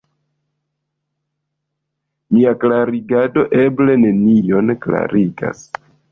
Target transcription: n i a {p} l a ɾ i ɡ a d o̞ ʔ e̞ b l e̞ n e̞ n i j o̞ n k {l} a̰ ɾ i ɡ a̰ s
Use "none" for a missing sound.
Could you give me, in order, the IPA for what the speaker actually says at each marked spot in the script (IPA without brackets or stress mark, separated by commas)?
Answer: k, l